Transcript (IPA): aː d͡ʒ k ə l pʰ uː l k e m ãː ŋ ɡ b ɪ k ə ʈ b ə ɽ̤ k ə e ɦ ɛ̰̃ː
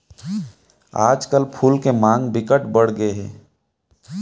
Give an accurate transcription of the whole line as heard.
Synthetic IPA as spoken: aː d͡ʒ k ə l pʰ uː l k e m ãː ŋ ɡ b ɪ k ə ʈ b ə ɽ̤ ɡ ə e ɦ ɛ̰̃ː